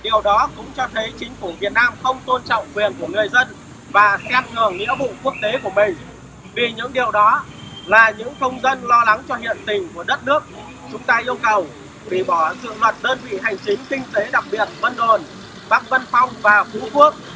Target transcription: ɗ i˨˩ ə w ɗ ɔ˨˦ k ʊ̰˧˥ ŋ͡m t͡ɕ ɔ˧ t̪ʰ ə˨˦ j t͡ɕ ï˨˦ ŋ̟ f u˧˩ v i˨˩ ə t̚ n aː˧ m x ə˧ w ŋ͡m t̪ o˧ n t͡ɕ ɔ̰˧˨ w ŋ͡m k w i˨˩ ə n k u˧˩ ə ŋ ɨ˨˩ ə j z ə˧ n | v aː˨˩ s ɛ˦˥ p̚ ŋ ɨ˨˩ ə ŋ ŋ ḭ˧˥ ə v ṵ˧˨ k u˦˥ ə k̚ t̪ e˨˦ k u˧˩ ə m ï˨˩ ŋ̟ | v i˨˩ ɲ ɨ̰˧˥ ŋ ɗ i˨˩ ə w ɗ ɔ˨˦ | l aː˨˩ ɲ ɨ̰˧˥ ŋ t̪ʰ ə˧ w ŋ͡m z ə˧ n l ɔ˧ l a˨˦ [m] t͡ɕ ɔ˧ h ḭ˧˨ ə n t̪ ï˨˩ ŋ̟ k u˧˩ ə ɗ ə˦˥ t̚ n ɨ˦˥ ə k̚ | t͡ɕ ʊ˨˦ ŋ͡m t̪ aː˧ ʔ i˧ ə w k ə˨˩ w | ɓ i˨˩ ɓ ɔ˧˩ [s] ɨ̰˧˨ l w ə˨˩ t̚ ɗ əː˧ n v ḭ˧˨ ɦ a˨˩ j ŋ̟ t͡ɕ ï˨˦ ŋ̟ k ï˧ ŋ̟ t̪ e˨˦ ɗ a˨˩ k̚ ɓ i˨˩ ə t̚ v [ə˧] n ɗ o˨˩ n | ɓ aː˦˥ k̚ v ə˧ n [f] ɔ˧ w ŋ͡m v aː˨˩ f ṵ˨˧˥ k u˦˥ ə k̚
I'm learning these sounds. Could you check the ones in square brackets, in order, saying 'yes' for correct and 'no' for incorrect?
no, no, yes, yes

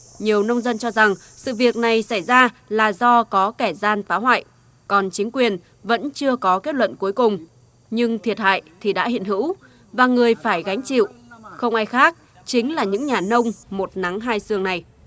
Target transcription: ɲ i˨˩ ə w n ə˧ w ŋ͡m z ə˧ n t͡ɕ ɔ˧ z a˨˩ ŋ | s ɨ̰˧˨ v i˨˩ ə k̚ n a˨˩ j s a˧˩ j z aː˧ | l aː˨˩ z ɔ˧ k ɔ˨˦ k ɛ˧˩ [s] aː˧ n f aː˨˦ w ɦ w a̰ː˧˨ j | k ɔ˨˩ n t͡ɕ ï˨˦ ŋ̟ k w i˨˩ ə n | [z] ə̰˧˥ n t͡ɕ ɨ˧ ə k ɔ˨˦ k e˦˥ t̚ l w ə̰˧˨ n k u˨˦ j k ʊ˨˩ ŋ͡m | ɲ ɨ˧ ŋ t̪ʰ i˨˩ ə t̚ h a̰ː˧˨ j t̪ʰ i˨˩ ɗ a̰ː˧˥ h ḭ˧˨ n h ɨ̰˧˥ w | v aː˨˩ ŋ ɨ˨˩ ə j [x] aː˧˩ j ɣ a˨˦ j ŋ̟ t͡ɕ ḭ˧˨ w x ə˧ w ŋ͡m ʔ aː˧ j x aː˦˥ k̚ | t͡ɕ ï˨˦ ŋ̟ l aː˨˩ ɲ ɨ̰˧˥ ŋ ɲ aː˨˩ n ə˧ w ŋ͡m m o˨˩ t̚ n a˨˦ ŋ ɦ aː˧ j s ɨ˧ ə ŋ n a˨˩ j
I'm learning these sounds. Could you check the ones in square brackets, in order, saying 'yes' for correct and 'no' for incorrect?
no, no, no

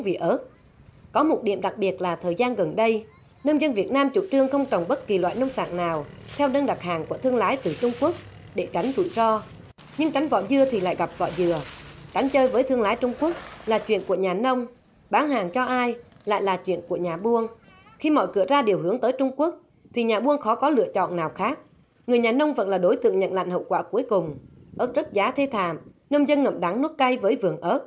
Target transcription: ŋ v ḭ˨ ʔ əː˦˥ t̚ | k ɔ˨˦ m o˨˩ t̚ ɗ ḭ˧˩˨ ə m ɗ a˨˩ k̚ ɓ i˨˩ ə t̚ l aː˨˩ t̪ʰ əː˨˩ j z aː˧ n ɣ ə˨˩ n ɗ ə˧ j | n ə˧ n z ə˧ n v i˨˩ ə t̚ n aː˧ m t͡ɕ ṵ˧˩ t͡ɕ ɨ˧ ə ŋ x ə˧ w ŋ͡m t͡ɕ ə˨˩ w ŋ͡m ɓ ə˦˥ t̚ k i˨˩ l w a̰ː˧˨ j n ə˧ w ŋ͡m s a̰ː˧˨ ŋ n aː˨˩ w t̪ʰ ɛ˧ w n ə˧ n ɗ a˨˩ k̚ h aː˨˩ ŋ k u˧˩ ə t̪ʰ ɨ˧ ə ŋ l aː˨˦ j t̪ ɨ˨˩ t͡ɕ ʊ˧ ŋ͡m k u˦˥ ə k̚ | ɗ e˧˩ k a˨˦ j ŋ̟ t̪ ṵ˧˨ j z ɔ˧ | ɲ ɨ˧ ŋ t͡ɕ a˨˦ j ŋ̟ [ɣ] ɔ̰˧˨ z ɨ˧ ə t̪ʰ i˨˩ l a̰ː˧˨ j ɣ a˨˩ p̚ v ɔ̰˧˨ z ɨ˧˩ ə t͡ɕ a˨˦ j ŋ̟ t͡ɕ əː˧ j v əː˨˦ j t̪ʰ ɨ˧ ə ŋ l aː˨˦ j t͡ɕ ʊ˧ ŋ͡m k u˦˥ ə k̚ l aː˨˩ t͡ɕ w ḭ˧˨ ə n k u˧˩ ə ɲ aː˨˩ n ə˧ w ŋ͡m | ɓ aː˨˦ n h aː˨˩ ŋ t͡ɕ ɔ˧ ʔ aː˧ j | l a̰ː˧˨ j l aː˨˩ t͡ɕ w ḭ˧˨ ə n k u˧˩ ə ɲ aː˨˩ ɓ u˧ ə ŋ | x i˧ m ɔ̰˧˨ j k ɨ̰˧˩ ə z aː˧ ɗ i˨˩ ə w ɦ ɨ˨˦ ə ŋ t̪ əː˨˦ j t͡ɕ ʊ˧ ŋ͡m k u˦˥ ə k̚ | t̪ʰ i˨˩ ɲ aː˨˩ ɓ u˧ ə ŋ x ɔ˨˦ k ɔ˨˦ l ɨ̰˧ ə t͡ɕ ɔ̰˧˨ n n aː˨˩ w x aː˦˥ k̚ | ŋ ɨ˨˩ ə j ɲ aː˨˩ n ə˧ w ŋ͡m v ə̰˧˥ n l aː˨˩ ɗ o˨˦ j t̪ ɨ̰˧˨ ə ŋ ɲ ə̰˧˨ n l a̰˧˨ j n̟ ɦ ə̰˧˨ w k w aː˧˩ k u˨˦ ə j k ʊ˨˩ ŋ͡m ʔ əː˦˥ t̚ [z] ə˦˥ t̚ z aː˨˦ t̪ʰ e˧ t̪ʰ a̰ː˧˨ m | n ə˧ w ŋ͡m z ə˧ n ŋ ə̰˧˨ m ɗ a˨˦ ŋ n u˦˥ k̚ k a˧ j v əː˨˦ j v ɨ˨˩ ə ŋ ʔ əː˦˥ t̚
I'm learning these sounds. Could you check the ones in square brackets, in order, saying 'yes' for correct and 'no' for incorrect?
no, yes

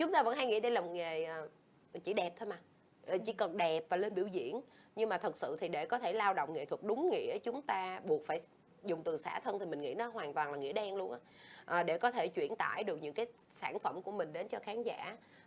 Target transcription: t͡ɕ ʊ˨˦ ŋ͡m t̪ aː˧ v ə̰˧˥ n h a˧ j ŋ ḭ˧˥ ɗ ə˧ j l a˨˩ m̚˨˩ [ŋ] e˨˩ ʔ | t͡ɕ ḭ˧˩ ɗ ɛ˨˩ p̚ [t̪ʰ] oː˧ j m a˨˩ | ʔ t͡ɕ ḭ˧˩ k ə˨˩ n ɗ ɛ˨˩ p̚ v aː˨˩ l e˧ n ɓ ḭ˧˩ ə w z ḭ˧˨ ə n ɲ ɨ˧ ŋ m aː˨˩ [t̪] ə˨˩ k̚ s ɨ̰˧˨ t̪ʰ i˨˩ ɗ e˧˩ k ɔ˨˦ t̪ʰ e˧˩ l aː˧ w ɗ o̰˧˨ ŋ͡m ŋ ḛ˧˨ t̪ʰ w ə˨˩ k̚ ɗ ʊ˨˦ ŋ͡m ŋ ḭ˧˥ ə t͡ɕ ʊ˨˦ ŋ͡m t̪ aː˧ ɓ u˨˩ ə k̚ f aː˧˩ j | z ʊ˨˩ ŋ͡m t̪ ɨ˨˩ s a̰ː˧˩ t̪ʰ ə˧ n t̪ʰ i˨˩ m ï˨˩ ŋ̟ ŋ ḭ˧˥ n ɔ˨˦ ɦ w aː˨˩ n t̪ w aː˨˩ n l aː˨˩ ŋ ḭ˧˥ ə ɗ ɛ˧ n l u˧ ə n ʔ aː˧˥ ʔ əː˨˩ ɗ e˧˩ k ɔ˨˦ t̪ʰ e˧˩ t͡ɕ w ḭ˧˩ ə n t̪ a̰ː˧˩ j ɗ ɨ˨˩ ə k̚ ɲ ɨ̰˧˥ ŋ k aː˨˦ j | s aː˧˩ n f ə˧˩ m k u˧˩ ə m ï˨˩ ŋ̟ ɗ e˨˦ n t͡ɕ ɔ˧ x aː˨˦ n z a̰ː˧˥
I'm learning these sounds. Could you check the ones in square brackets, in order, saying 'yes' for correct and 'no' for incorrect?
yes, yes, no

